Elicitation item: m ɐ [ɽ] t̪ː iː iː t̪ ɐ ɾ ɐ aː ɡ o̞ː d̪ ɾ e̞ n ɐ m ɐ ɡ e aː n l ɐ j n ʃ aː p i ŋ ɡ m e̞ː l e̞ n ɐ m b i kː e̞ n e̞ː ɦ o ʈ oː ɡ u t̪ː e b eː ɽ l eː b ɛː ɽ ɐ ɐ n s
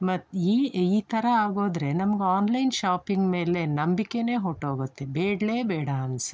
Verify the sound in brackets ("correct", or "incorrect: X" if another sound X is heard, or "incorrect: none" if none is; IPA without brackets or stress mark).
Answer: incorrect: none